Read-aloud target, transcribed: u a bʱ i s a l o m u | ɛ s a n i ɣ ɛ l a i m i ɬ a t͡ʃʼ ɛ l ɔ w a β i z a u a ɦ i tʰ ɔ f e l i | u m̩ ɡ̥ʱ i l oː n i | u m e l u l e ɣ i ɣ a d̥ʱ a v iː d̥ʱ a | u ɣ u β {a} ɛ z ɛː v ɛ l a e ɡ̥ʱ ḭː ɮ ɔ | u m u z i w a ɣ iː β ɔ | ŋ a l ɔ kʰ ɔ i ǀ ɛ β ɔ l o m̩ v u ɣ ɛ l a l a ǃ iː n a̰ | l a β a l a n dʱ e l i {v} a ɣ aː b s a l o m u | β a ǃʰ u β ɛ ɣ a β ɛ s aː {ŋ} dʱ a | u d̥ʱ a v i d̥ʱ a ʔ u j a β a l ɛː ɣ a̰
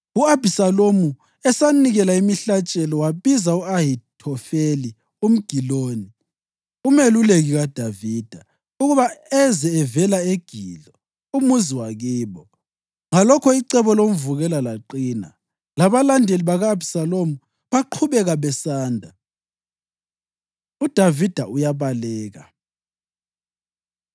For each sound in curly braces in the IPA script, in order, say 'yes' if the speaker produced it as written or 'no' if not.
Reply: yes, no, no

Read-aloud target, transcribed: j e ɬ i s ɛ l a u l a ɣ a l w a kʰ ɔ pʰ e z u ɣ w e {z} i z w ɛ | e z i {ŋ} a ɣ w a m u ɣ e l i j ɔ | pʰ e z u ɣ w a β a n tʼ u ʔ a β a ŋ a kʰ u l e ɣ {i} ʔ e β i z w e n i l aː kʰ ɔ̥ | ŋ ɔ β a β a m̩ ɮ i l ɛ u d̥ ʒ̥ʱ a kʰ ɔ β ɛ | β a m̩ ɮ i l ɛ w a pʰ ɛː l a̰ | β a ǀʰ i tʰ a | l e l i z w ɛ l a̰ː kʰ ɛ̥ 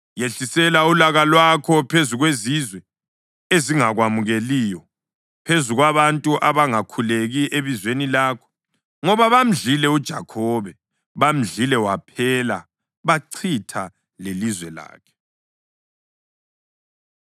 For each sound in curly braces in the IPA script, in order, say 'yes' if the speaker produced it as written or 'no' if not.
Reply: yes, yes, yes

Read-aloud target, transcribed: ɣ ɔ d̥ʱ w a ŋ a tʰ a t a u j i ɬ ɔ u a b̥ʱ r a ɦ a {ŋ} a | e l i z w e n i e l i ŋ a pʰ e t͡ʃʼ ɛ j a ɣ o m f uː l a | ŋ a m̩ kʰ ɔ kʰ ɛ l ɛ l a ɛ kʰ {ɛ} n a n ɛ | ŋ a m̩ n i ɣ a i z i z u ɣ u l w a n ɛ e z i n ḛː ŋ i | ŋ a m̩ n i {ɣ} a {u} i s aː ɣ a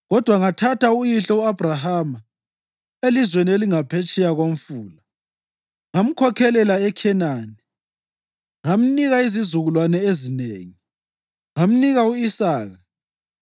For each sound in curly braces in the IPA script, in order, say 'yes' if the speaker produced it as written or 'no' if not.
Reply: no, yes, yes, yes

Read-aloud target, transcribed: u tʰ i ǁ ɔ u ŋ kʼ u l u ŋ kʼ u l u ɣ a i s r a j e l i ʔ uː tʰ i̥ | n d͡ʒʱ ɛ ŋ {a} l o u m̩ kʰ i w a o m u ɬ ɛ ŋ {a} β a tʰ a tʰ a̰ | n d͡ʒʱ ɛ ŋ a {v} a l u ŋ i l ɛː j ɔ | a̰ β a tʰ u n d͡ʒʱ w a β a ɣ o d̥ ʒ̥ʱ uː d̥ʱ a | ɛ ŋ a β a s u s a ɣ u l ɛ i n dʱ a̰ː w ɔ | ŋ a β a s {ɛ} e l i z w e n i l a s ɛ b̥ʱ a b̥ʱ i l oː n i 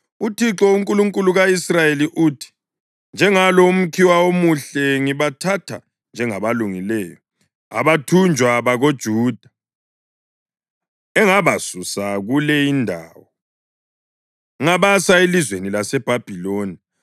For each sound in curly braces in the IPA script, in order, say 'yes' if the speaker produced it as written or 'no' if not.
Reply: yes, no, no, no

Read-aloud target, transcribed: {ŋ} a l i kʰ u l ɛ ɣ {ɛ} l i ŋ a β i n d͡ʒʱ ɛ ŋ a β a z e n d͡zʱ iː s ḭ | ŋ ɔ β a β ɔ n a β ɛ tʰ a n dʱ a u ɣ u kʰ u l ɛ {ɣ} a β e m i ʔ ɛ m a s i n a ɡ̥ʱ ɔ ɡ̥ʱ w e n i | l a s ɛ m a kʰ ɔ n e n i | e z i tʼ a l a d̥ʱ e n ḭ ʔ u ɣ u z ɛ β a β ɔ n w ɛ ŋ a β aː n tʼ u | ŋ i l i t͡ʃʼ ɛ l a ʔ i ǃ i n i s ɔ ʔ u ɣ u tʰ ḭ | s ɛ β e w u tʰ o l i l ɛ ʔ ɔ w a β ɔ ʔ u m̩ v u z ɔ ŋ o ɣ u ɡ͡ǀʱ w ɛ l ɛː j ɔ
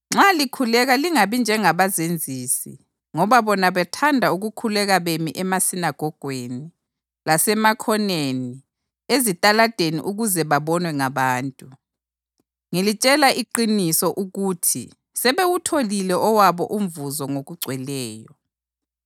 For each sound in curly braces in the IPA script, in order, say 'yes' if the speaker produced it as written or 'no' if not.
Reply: no, no, yes

